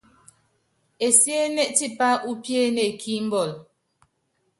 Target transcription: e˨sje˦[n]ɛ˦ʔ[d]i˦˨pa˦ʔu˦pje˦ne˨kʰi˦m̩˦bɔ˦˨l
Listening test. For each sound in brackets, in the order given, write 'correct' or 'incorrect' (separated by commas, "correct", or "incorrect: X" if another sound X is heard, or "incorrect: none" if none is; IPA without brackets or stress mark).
correct, incorrect: t